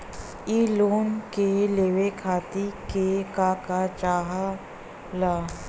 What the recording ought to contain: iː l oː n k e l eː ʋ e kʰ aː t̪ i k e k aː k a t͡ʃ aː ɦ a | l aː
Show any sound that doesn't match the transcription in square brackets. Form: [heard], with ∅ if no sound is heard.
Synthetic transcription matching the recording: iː l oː n k e l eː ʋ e kʰ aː t̪ i k e k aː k a t͡ʃ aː ɦ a | l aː